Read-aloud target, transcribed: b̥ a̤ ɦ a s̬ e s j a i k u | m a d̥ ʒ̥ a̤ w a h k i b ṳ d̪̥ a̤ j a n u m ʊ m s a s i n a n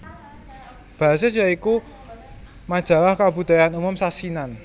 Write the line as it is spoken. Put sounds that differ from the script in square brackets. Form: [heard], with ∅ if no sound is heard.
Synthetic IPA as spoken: b̥ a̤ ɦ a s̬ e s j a i k u | m a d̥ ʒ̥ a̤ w a h k [a] b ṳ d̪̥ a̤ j a n u m ʊ m s a s i n a n